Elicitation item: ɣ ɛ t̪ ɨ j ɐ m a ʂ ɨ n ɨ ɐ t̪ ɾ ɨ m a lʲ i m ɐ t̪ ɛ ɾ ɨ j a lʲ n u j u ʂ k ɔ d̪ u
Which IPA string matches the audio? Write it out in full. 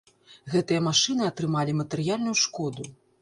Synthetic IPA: ɣ ɛ t̪ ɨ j ɐ m a ʂ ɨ n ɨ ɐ t̪ ɾ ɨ m a lʲ i m ɐ t̪ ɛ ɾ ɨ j a lʲ n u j u ʂ k ɔ d̪ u